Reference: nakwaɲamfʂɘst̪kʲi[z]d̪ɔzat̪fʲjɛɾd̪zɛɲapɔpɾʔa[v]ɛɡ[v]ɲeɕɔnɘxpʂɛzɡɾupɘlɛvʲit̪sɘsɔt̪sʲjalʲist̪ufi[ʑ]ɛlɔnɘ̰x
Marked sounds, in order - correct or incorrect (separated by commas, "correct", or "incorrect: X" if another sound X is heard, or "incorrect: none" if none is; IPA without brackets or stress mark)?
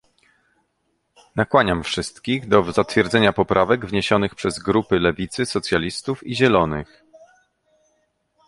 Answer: incorrect: ɣ, correct, correct, correct